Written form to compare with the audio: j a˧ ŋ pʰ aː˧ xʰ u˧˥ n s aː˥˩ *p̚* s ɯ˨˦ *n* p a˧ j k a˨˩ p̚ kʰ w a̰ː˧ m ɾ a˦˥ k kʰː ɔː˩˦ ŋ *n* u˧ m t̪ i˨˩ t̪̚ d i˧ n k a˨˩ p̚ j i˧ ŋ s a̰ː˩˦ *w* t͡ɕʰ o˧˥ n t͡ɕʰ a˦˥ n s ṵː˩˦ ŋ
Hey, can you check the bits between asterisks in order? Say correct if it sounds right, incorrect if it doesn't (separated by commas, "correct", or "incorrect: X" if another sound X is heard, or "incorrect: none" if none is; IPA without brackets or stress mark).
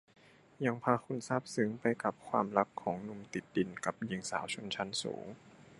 correct, incorrect: ŋ, correct, correct